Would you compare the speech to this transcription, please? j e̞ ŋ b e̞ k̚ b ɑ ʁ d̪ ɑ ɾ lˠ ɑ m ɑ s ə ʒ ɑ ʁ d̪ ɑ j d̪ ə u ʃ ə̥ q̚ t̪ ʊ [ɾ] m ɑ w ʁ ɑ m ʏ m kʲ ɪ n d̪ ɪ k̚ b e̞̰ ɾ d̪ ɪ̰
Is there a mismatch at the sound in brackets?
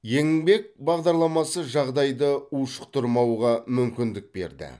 no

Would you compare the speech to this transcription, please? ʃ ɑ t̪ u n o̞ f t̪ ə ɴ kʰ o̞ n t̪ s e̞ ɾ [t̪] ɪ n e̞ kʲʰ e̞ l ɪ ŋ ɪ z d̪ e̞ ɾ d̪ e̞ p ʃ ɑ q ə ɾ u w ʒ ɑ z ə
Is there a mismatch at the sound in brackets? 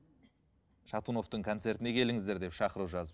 no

